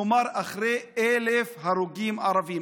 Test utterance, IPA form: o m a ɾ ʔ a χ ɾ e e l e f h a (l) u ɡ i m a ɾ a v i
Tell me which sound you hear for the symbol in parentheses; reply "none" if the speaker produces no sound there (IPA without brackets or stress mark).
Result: ɾ